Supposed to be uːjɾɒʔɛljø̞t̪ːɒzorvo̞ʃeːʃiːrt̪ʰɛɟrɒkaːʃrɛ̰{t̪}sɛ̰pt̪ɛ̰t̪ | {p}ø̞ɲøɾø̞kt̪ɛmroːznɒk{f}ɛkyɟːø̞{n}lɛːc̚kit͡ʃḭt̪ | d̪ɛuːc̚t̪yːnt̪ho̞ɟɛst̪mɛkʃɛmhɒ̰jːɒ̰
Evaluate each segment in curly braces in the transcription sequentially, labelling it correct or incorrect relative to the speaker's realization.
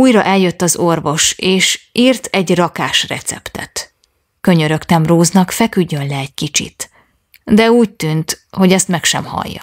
correct, incorrect: k, correct, correct

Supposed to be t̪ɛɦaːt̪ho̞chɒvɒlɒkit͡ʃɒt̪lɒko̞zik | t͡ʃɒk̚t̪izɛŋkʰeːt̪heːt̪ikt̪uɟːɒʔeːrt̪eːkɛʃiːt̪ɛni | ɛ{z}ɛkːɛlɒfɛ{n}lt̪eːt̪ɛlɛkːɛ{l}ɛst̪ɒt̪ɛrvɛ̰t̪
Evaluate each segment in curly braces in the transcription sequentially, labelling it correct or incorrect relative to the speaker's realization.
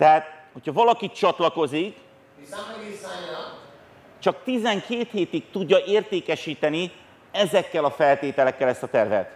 correct, incorrect: none, correct

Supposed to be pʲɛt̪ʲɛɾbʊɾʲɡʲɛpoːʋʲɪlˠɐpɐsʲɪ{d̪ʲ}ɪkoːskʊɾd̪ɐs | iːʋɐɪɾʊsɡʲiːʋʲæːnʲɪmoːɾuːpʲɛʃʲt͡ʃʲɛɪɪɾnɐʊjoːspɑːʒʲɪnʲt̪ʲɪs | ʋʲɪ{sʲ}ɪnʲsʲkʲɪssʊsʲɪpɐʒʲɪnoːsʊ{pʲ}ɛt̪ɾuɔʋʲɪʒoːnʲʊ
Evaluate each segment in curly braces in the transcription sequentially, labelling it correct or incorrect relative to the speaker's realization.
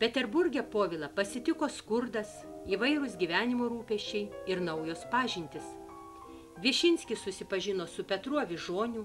incorrect: t̪ʲ, incorrect: ʃʲ, correct

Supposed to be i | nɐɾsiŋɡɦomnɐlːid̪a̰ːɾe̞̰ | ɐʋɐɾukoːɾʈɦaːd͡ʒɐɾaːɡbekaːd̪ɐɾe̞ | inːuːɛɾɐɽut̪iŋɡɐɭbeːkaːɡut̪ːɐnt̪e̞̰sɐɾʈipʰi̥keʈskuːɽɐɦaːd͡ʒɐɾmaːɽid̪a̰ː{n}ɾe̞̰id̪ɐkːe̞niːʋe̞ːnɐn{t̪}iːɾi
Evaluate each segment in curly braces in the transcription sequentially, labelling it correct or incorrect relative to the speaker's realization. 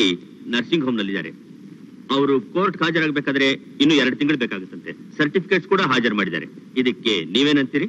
incorrect: none, correct

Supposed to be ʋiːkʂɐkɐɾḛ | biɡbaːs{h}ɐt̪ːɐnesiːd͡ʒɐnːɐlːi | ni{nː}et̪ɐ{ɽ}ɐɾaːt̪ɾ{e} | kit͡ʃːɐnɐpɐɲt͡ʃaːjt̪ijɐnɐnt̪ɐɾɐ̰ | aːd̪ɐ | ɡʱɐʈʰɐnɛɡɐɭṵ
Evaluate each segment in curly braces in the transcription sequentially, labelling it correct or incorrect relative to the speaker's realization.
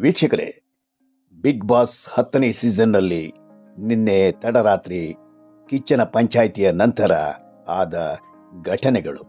correct, correct, correct, incorrect: i

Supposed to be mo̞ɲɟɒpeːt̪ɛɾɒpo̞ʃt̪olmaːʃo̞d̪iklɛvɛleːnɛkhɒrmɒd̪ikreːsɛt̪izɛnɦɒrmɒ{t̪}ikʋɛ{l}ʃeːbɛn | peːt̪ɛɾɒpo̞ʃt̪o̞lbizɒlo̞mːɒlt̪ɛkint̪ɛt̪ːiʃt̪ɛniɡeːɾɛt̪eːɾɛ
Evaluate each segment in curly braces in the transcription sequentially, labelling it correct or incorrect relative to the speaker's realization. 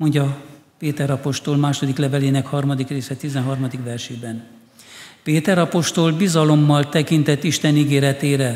incorrect: d̪, incorrect: r

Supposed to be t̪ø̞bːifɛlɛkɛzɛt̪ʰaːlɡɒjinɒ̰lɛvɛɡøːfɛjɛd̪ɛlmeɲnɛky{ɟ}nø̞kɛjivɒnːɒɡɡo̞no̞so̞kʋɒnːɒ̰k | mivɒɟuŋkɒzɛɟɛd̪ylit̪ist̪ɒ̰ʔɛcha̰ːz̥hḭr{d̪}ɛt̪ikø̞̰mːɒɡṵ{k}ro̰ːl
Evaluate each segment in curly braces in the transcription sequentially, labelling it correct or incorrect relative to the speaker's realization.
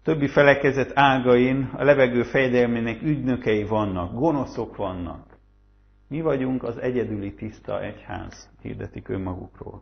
correct, correct, correct

